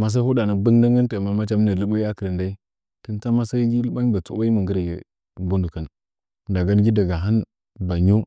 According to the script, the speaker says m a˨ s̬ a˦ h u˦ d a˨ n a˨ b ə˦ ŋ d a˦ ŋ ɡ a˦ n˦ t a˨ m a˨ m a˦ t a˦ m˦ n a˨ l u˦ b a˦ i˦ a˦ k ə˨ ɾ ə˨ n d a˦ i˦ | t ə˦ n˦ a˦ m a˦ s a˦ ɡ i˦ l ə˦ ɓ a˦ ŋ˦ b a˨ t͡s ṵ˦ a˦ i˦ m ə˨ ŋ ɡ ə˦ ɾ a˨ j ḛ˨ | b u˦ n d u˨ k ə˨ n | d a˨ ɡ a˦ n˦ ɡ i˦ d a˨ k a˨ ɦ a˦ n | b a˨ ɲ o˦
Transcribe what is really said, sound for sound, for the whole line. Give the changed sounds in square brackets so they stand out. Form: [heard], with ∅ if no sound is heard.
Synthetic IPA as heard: m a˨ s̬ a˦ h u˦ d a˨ n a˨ b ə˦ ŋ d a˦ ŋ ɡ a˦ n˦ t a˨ m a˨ m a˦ [t͡ʃ] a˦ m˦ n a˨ l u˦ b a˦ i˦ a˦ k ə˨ ɾ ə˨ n d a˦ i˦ | t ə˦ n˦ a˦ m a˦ s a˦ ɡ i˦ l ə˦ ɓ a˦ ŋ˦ b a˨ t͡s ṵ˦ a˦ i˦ m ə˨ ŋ ɡ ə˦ ɾ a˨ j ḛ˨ | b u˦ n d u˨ k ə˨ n | d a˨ ɡ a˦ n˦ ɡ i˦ d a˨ [ɡ] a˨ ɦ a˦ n | b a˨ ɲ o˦